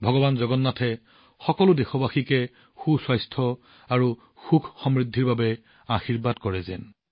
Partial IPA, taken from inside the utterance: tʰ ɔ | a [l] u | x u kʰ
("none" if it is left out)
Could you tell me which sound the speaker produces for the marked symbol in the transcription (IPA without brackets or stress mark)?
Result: ɹ